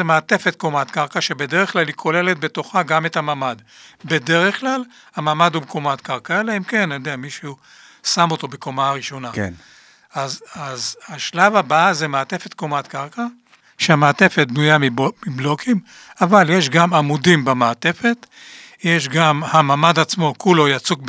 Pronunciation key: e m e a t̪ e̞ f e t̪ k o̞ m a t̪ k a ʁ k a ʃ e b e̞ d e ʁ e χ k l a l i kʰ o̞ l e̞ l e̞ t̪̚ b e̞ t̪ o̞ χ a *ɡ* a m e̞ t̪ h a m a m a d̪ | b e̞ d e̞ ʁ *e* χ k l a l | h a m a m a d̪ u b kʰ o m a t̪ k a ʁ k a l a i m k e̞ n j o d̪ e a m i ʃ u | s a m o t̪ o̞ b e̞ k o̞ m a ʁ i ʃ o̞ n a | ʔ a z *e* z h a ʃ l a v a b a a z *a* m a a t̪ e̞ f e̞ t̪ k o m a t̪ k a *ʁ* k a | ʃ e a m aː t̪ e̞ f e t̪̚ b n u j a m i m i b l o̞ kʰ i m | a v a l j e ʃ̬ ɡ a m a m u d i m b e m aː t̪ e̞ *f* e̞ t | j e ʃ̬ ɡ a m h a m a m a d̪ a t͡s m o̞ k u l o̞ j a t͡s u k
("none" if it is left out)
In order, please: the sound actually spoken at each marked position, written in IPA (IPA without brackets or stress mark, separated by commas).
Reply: ɡ, e, a, e, ʁ, f